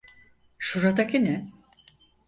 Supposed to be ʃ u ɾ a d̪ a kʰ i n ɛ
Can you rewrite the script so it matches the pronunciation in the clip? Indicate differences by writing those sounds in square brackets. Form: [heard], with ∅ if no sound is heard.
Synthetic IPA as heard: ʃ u ɾ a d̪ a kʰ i n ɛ

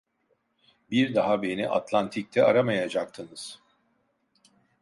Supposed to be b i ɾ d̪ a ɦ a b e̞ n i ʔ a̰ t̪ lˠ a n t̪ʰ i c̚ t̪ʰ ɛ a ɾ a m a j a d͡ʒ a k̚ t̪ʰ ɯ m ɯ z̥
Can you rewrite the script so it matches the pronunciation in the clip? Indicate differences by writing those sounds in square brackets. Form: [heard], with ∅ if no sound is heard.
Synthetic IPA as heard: b i ɾ d̪ a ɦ a b e̞ n i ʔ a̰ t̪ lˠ a n t̪ʰ i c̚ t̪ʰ ɛ a ɾ a m a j a d͡ʒ a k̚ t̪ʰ ɯ [n] ɯ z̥

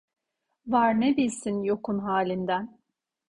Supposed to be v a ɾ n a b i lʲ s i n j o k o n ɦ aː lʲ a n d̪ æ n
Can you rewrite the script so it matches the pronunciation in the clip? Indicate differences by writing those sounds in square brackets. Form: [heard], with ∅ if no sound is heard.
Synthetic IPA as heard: v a ɾ n [e] b i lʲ s i n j o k [u] n ɦ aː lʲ [i] n d̪ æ n

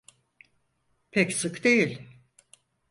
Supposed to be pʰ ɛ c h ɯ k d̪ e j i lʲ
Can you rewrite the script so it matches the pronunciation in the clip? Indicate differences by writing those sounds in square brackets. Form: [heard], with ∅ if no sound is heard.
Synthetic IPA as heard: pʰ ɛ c [s] ɯ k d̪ e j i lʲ

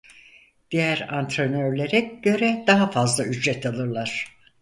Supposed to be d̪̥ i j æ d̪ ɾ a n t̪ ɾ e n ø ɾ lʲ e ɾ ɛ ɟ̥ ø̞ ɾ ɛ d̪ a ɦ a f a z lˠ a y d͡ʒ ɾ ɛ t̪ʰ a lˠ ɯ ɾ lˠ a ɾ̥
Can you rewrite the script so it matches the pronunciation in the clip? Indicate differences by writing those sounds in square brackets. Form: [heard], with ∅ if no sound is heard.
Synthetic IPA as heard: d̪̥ i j æ [∅] ɾ a n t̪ ɾ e n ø ɾ lʲ e ɾ ɛ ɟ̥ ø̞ ɾ ɛ d̪ a ɦ a f a z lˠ a y d͡ʒ ɾ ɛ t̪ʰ a lˠ ɯ ɾ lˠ a ɾ̥

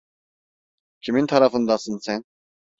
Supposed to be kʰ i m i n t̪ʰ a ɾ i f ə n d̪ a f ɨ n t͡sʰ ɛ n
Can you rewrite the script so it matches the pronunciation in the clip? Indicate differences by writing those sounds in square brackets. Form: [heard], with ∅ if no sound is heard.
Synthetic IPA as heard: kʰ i m i n t̪ʰ a ɾ [a] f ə n d̪ a [s] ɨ n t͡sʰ ɛ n

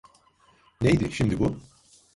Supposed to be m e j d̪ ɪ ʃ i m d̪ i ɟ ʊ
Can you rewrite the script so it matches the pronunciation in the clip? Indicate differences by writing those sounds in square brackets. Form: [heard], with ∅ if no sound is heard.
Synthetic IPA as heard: [n] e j d̪ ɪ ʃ i m d̪ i [b] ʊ

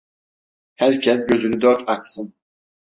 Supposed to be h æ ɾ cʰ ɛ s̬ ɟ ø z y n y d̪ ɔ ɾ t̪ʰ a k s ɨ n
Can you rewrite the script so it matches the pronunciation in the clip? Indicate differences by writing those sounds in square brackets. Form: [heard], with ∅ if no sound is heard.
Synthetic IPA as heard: h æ ɾ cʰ ɛ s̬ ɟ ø z y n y d̪ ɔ ɾ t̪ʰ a k s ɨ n

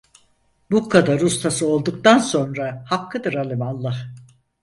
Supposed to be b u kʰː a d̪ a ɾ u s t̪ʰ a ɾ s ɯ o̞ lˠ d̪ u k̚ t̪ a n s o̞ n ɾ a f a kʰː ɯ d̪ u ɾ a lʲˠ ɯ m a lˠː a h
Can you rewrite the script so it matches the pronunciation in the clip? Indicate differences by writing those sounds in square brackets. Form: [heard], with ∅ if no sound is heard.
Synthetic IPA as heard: b u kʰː a d̪ a ɾ u s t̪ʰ a [∅] s ɯ o̞ lˠ d̪ u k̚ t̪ a n s o̞ n ɾ a [h] a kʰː ɯ d̪ [ɯ] ɾ a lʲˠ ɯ m a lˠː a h

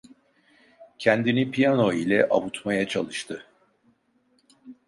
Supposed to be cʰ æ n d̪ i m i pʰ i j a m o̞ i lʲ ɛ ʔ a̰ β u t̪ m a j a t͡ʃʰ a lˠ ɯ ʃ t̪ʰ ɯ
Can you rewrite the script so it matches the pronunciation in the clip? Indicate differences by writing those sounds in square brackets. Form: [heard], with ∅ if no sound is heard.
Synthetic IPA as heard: cʰ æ n d̪ i [n] i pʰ i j a [n] o̞ i lʲ ɛ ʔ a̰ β u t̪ m a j a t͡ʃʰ a lˠ ɯ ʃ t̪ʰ ɯ

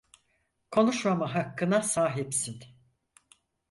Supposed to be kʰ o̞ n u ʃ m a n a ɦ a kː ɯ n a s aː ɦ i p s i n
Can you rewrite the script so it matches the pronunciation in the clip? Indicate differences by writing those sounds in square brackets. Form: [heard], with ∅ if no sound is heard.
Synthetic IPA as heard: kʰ o̞ n u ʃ m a [m] a ɦ a kː ɯ n a s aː ɦ i p s i n

